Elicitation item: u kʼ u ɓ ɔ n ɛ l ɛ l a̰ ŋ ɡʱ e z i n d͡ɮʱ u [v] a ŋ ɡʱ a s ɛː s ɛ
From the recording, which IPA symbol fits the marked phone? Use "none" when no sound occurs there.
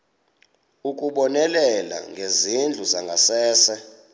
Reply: z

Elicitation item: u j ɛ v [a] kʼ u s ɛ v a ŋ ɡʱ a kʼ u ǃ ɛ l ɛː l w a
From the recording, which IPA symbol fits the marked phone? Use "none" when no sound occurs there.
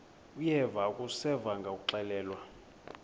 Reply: a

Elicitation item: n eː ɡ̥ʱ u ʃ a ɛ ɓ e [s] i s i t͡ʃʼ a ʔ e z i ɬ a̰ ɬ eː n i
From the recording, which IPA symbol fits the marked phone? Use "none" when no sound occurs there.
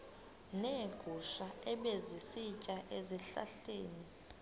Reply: z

